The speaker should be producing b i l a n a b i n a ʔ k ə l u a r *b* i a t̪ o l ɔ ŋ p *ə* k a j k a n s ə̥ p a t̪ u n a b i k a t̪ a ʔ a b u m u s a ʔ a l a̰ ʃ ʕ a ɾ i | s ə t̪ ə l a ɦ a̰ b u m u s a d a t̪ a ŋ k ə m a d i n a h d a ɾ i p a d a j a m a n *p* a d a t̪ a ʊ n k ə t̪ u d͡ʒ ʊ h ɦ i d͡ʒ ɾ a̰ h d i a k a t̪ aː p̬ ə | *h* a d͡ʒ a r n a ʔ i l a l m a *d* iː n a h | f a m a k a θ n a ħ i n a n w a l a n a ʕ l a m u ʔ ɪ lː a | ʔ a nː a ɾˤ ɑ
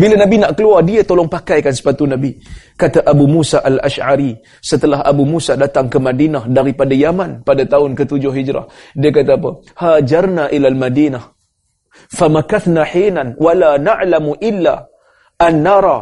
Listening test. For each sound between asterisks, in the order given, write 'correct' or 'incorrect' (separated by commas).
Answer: incorrect, incorrect, correct, correct, correct